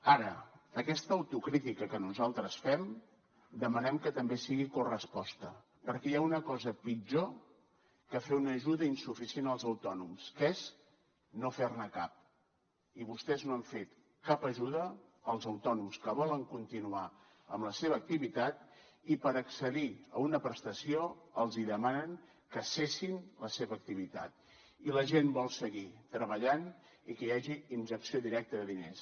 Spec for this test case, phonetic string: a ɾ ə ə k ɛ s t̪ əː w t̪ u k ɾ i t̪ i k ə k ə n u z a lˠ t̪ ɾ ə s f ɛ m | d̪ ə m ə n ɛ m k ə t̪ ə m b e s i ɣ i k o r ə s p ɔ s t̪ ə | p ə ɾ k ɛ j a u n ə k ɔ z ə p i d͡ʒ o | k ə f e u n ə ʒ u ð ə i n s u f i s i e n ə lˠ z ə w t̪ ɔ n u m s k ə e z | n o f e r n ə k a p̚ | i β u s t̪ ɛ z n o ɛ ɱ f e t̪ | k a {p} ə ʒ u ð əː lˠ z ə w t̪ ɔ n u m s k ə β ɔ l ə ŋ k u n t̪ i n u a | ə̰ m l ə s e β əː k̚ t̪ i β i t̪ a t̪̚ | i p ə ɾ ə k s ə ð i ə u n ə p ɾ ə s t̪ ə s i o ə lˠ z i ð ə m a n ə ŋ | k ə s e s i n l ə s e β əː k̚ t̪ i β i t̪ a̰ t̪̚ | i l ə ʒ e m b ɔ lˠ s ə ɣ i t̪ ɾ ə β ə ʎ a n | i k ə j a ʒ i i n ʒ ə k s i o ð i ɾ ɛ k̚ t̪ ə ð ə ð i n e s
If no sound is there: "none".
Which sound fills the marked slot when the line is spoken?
p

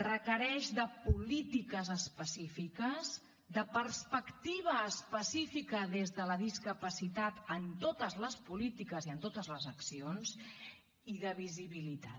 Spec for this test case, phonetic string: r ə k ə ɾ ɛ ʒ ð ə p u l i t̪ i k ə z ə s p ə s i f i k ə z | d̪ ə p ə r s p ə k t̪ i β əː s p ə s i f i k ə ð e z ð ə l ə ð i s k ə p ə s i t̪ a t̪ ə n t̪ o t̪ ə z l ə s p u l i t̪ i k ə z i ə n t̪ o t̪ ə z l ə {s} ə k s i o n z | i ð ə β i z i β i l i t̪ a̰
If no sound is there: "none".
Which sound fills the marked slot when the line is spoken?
z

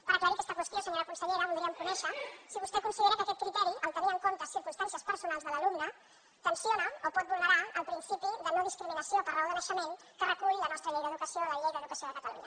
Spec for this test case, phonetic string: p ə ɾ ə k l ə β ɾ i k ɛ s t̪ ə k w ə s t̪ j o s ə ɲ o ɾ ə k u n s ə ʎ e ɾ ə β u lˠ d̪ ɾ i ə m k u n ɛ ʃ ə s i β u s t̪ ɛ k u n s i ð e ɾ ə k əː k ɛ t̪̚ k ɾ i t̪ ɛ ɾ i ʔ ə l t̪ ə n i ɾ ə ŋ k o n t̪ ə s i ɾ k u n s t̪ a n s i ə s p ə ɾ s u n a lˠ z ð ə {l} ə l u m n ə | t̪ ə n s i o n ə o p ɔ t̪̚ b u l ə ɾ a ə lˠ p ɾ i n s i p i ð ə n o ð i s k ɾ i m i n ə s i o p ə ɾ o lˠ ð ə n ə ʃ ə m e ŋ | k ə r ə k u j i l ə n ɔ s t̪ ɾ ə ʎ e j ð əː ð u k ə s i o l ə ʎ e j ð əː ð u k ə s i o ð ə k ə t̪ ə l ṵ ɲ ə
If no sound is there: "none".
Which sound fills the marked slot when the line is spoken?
l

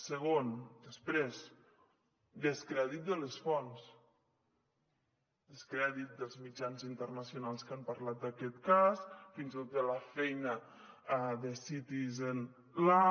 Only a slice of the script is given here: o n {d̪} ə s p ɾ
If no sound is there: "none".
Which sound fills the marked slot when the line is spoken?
d̪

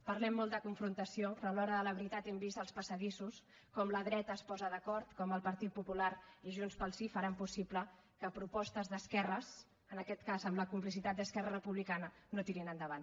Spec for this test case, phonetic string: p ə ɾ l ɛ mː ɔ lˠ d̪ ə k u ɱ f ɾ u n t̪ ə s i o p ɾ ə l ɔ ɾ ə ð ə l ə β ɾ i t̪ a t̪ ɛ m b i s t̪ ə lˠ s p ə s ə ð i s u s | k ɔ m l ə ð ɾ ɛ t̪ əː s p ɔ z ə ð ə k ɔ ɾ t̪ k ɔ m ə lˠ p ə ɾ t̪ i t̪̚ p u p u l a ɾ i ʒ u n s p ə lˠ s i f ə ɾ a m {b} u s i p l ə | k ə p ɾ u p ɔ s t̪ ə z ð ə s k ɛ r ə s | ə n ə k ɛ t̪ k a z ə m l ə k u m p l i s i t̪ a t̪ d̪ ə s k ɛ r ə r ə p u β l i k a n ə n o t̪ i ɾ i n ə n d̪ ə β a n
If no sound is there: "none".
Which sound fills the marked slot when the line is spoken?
p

